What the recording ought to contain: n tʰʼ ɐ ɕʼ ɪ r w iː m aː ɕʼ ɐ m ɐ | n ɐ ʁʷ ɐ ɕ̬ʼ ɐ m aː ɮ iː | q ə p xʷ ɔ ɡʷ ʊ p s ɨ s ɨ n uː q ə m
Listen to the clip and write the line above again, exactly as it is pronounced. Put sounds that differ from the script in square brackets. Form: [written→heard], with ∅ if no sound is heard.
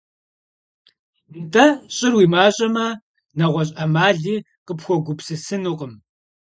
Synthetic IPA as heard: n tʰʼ ɐ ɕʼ ɪ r w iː m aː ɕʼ ɐ m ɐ | n ɐ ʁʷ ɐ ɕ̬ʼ ɐ m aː ɮ iː | q ə p xʷ ɔ ɡʷ ʊ p s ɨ s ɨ n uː q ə m